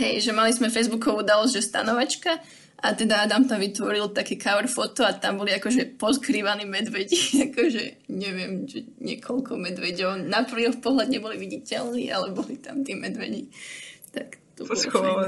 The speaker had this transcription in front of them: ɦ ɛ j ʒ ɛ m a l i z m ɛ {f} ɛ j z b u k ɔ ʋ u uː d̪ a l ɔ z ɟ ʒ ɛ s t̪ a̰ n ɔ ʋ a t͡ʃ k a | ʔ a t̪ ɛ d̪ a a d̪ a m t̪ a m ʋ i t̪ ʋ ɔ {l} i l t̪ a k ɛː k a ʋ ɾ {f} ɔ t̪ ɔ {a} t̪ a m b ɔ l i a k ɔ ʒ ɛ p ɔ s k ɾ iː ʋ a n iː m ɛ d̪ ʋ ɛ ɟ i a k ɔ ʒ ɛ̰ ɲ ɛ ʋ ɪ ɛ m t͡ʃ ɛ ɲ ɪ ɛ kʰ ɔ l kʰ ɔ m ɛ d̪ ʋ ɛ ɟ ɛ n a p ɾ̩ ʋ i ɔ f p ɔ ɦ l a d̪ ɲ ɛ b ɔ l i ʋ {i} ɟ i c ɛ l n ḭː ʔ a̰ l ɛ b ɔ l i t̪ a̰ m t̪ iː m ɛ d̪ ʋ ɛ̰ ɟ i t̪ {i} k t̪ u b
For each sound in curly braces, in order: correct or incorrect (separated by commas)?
correct, incorrect, correct, correct, correct, incorrect